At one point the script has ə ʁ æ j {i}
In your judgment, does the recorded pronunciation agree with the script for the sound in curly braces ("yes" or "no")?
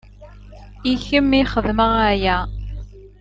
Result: no